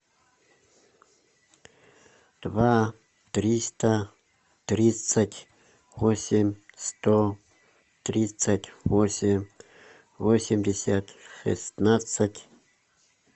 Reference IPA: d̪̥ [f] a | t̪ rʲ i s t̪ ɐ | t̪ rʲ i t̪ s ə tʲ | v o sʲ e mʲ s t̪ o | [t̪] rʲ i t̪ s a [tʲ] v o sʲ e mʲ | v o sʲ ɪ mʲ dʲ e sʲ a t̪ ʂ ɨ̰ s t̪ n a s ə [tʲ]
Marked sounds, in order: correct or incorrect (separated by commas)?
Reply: incorrect, correct, correct, correct